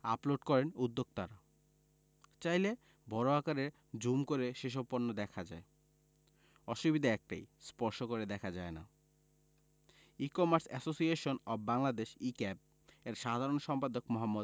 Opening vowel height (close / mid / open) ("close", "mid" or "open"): open